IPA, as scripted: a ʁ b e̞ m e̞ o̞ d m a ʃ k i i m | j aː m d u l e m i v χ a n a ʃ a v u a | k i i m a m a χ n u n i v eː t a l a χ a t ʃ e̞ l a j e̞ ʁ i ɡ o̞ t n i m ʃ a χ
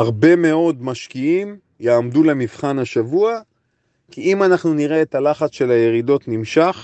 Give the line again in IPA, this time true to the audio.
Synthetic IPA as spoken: a ʁ b e̞ m e̞ o̞ d m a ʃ k i i m | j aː m d u l e m i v χ a n a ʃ a v u a | k i i m a n a χ n u n i ʁ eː t a l a χ a t͡s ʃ e̞ l a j e̞ ʁ i d o̞ t n i m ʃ a χ